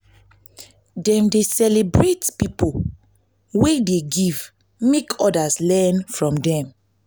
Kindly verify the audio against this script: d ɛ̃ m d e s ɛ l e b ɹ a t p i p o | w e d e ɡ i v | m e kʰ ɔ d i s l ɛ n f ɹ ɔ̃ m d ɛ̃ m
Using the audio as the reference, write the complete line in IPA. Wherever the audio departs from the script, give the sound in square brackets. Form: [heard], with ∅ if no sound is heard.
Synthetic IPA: d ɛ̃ m d e s ɛ l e b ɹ [e] t p i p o | w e d e ɡ i v | m e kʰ ɔ d [a] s l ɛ n f ɹ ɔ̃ m d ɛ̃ m